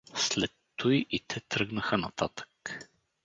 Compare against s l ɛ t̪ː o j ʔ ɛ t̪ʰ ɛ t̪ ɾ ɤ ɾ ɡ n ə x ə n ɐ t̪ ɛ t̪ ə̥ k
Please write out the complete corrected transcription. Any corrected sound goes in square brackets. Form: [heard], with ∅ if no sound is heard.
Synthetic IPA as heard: s l ɛ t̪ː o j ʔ [i] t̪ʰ ɛ t̪ ɾ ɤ [∅] ɡ n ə x ə n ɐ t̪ [a] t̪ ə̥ k